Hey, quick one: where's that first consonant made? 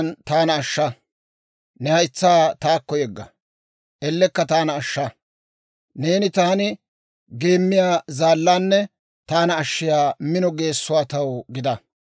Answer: tongue tip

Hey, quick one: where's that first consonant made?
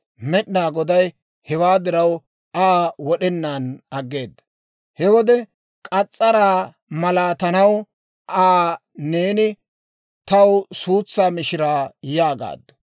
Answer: lips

